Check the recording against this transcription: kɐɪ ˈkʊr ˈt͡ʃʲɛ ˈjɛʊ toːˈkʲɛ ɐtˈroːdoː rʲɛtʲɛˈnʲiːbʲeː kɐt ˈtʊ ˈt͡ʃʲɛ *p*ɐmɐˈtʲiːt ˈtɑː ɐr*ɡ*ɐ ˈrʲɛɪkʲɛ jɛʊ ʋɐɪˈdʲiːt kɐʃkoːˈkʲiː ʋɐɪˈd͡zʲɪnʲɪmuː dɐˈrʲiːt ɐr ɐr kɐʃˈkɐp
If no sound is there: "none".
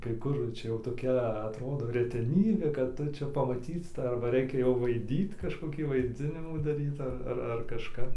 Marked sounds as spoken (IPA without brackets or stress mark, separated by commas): p, b